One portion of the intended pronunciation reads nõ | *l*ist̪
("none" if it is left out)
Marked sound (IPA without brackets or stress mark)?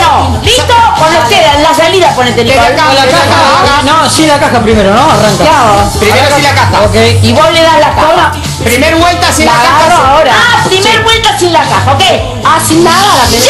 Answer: l